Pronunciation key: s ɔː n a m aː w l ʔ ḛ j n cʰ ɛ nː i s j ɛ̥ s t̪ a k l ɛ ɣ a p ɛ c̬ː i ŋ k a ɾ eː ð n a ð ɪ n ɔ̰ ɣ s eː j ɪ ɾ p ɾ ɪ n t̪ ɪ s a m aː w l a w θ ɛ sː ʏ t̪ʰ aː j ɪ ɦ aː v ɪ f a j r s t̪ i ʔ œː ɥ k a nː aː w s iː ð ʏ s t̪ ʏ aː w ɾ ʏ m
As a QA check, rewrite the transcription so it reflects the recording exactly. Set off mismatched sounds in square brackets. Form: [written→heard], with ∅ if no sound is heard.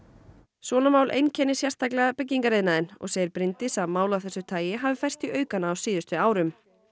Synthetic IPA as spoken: s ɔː n a m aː w l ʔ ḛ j n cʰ ɛ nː [i→ɪ] s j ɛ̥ s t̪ a k l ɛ ɣ a p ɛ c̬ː i ŋ k a ɾ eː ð n a ð ɪ n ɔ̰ ɣ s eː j ɪ ɾ p ɾ ɪ n t̪ ɪ s a m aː w l a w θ ɛ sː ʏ t̪ʰ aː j ɪ ɦ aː v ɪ f a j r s t̪ i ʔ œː ɥ k a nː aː w s iː ð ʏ s t̪ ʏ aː w ɾ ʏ m